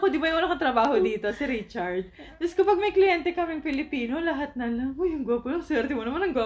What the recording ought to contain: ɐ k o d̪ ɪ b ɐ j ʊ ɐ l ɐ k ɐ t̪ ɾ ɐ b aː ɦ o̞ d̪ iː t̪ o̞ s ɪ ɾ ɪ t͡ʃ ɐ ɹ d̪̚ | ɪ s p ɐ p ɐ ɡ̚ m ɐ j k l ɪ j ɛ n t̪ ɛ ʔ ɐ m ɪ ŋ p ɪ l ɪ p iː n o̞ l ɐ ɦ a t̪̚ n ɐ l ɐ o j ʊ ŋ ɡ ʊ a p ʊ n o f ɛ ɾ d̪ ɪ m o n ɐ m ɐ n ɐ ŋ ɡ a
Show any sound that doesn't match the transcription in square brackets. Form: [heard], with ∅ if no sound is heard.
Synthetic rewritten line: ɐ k o d̪ ɪ b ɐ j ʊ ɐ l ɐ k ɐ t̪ ɾ ɐ b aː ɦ o̞ d̪ iː t̪ o̞ s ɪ ɾ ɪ t͡ʃ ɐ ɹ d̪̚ | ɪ s [k] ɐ p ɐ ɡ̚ m ɐ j k l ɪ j ɛ n t̪ ɛ [k] ɐ m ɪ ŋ p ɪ l ɪ p iː n o̞ l ɐ ɦ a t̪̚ n ɐ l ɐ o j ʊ ŋ ɡ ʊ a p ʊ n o [s] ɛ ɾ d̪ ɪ m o n ɐ m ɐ n ɐ ŋ ɡ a